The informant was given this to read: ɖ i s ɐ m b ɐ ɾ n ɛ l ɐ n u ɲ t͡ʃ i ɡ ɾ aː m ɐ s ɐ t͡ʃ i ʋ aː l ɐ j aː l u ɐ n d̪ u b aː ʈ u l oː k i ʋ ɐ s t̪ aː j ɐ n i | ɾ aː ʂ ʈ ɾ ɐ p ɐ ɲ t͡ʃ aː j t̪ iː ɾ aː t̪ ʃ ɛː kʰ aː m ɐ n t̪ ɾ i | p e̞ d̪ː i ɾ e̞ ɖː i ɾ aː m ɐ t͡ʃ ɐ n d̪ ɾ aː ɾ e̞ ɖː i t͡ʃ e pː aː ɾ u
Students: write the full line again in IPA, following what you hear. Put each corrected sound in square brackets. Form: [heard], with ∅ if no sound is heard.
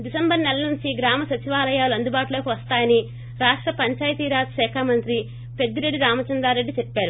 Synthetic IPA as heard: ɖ i s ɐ m b ɐ ɾ n ɛ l ɐ n u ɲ t͡ʃ i ɡ ɾ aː m ɐ s ɐ t͡ʃ i ʋ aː l ɐ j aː l u ɐ n d̪ u b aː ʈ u l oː k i ʋ ɐ s t̪ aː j ɐ n i | ɾ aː ʂ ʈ ɾ ɐ p ɐ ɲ t͡ʃ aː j t̪ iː ɾ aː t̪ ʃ ɛː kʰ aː m ɐ n t̪ ɾ i | p e̞ d̪ː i ɾ e̞ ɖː i ɾ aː m ɐ t͡ʃ ɐ n d̪ ɾ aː ɾ e̞ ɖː i t͡ʃ e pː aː ɾ u